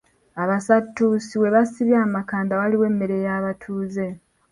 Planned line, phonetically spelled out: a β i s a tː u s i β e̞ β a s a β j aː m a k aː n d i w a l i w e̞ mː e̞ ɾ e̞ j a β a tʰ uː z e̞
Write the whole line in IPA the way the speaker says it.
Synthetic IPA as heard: a β a s a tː u s i w e̞ β a s i β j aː m a k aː n d a w a l i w e̞ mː e̞ ɾ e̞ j a β a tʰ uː z e̞